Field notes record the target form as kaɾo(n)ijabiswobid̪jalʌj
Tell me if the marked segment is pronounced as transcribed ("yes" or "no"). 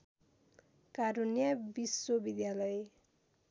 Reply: yes